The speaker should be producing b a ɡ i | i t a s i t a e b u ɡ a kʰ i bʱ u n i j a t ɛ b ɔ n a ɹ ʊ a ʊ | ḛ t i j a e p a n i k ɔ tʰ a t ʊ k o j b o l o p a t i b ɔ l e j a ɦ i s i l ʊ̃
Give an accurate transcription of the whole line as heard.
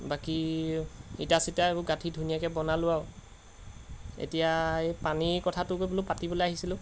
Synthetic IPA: b a k i | i t a s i t a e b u ɡ a tʰ i dʱ u n i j a k ɛ b ɔ n a l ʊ a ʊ | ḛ t i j a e p a n i k ɔ tʰ a t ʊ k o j b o l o p a t i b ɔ l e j a ɦ i s i l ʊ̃